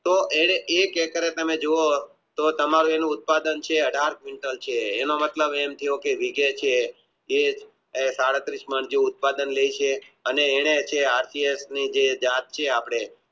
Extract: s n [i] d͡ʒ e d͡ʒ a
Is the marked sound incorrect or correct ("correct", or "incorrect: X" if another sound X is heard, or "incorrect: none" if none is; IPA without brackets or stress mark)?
correct